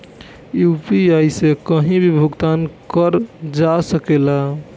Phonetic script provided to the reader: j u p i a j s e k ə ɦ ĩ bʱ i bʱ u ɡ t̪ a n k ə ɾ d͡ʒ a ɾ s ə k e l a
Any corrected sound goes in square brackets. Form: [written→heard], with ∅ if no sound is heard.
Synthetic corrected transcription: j u p i a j s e k ə ɦ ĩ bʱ i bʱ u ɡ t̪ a n k ə ɾ d͡ʒ a [ɾ→∅] s ə k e l a